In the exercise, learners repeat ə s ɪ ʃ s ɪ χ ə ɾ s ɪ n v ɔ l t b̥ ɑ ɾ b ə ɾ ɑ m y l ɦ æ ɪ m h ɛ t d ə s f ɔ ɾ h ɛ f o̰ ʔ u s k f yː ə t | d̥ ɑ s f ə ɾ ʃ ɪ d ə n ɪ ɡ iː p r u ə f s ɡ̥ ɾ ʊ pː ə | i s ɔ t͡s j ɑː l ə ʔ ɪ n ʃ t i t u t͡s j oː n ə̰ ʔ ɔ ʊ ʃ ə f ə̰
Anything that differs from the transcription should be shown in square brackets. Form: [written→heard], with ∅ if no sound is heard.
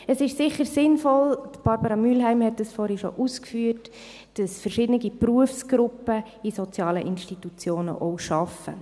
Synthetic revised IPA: ə s ɪ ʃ s ɪ χ ə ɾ s ɪ n [v→f] ɔ l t b̥ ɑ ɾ b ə ɾ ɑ m y l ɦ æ ɪ m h ɛ t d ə s f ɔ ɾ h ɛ [f→ʃ] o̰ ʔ u s k f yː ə t | d̥ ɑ s f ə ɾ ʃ ɪ d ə n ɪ ɡ [iː→i] p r u ə f s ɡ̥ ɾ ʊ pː ə | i s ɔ t͡s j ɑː l ə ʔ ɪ n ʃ t i t u t͡s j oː n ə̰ ʔ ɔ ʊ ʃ [ə→ɑ] f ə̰